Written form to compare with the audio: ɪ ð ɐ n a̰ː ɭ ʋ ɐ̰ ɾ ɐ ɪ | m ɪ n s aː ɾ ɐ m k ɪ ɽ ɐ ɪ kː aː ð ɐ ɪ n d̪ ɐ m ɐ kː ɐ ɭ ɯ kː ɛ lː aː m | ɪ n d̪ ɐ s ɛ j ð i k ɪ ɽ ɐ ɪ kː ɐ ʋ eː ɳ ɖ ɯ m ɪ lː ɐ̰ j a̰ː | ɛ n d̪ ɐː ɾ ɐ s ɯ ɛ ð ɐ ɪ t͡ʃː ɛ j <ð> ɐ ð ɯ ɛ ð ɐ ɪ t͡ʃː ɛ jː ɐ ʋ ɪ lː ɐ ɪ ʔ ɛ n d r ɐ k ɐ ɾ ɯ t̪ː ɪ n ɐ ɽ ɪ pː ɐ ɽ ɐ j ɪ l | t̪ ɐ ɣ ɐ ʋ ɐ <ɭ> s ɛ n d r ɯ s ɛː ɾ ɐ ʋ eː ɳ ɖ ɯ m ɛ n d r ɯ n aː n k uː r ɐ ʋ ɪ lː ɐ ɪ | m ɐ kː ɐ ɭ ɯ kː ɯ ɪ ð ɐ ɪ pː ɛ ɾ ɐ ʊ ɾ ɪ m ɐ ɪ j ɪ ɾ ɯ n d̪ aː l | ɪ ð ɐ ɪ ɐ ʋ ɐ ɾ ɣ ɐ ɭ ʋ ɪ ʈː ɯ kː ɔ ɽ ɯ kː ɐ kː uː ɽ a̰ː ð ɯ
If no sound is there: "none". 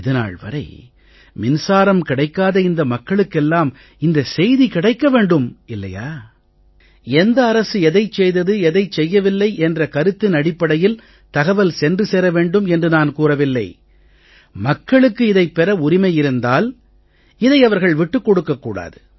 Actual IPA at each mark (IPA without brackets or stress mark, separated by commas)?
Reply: ð, l